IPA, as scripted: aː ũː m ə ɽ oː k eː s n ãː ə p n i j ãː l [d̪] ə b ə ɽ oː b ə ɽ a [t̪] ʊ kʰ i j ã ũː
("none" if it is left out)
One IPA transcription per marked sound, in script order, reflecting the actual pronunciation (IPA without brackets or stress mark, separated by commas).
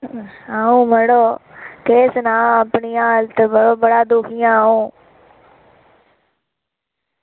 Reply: t̪, d̪